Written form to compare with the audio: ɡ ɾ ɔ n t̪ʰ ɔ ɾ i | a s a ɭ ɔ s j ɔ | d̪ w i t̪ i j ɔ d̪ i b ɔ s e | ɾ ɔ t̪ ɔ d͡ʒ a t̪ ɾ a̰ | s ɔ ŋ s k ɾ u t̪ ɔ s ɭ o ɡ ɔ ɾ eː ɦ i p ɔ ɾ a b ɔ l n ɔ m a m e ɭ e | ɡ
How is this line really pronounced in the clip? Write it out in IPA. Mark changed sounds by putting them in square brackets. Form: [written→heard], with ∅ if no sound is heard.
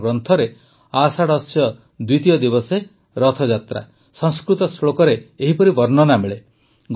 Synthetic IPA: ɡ ɾ ɔ n t̪ʰ ɔ ɾ [i→e] | a s a [ɭ→ɽ] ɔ s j ɔ | d̪ w i t̪ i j ɔ d̪ i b ɔ s e | ɾ ɔ [t̪→t̪ʰ] ɔ d͡ʒ a t̪ ɾ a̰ | s ɔ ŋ s k ɾ u t̪ ɔ s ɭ o [ɡ→k] ɔ ɾ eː ɦ i p ɔ ɾ [a→i] b ɔ [l→ɾ] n ɔ [m→n] a m e ɭ e | ɡ